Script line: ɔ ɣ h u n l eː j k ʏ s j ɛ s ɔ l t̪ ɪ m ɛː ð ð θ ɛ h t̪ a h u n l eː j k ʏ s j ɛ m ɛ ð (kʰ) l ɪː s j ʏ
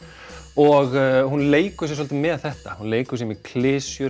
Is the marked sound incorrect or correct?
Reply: correct